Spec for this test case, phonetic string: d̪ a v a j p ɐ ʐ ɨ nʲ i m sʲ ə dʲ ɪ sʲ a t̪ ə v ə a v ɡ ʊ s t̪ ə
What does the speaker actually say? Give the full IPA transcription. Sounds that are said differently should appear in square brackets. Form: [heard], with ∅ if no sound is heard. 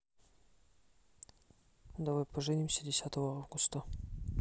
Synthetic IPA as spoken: d̪ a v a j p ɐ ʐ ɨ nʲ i m sʲ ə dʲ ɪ sʲ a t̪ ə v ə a v ɡ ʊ s t̪ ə